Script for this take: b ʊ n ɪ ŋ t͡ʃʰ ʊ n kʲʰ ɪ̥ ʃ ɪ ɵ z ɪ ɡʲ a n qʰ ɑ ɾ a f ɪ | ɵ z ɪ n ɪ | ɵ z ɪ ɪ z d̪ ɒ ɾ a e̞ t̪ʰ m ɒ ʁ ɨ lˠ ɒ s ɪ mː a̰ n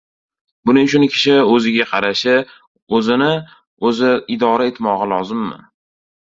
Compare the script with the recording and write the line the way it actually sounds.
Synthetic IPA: b ʊ n ɪ ŋ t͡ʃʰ ʊ n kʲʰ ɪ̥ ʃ ɪ ɵ z ɪ ɡʲ a qʰ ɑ ɾ a ʃ ɪ | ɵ z ɪ n ɪ | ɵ z ɪ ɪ d̪ ɒ ɾ a e̞ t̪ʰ m ɒ ʁ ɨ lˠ ɒ z ɪ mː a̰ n